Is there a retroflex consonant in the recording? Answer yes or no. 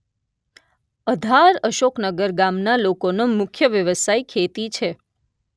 no